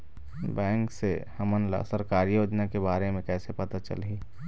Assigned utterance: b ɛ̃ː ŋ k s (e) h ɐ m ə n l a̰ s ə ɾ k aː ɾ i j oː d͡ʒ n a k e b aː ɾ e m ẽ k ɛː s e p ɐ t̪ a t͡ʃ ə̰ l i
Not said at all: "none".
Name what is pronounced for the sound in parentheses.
e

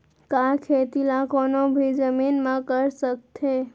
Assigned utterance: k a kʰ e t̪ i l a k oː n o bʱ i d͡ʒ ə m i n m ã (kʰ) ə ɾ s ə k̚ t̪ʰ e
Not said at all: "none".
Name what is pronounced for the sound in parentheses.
k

